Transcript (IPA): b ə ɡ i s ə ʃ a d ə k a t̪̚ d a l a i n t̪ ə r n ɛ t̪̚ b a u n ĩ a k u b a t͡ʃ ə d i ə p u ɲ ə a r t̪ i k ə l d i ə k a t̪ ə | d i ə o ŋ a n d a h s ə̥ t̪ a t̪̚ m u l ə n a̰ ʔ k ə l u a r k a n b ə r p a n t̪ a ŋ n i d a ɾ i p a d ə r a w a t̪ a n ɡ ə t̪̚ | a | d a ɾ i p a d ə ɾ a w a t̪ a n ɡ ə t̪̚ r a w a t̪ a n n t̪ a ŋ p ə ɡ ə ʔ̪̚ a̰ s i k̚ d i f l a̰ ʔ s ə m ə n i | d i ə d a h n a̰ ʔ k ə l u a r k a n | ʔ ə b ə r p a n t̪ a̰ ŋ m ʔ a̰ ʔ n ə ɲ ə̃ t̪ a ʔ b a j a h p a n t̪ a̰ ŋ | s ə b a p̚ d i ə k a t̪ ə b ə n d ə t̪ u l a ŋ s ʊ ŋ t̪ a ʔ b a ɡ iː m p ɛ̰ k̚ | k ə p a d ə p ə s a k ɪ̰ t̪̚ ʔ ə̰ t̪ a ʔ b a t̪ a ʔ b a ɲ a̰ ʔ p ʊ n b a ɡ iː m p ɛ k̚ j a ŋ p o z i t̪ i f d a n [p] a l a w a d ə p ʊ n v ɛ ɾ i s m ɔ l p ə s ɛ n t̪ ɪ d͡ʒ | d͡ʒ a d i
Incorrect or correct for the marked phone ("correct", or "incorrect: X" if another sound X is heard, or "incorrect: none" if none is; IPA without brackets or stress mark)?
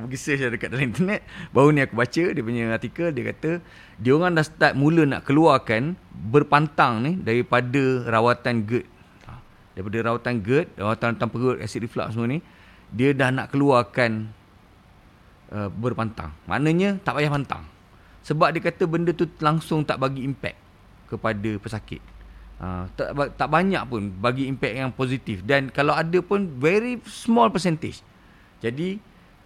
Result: incorrect: k